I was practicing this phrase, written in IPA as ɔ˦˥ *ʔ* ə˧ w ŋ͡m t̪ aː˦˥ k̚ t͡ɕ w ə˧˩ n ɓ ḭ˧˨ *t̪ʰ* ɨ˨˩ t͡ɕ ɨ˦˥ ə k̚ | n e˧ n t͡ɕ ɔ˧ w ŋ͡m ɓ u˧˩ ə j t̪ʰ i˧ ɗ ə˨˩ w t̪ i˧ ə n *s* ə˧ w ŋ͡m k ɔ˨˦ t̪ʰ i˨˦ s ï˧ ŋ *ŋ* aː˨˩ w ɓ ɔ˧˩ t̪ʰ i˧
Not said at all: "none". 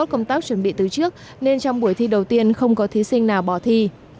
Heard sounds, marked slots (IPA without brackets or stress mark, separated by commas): k, t̪, x, n